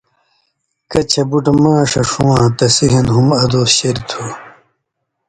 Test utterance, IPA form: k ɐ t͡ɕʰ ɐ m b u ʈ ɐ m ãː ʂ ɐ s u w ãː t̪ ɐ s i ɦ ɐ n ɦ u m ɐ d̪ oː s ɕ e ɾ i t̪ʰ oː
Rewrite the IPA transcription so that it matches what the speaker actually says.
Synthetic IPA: k ɐ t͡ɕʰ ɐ b u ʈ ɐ m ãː ʂ ɐ ʂ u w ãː t̪ ɐ s i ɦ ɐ n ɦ u m ɐ d̪ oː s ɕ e ɾ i t̪ʰ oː